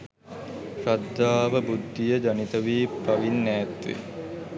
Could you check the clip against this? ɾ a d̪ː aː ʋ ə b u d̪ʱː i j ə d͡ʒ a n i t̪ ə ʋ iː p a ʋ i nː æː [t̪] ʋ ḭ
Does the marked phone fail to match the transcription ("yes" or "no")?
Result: no